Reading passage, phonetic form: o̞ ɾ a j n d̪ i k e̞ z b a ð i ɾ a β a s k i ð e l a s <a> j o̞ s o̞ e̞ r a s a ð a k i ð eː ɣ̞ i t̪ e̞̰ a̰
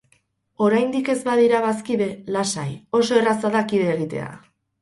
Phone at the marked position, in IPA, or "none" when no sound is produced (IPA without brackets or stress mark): a